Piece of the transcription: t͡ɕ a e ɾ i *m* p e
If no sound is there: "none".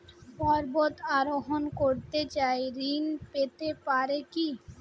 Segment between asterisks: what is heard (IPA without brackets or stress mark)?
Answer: n